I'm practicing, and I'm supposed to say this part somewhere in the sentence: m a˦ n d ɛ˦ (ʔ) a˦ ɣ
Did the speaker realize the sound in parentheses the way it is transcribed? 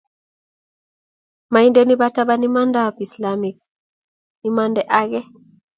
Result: yes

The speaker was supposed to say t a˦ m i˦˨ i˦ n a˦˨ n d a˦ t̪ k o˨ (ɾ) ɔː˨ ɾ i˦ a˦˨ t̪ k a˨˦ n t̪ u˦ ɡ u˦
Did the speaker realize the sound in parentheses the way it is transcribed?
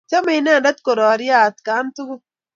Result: yes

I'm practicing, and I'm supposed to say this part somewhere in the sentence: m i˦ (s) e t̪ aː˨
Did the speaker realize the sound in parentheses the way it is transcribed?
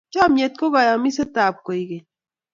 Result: yes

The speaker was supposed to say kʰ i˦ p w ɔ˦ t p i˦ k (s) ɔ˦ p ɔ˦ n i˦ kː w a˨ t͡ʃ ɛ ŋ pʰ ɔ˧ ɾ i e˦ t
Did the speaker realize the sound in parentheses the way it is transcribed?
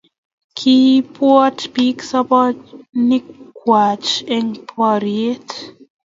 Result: yes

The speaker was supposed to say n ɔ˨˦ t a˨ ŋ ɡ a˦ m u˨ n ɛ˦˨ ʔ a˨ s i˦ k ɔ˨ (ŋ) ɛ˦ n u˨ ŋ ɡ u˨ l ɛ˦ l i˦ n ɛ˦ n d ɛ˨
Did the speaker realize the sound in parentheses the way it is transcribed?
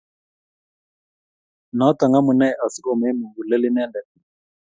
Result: no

